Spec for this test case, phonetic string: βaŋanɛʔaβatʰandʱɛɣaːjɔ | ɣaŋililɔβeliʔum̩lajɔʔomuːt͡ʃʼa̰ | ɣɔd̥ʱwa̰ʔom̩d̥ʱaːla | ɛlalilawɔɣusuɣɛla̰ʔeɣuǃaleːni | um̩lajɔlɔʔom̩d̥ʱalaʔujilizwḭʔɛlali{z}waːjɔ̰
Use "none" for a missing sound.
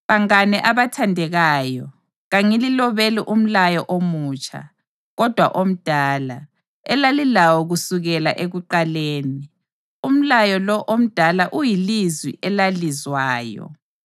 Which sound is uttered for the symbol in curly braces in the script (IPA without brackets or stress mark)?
z